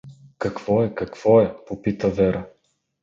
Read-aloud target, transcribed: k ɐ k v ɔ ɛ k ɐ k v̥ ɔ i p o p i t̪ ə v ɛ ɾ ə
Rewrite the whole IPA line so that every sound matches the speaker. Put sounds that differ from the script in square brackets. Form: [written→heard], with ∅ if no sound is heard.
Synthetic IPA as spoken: k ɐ k v ɔ ɛ k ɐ k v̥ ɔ [i→ɛ] p o p i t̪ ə v ɛ ɾ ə